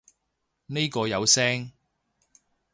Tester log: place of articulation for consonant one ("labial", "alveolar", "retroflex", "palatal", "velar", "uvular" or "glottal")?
alveolar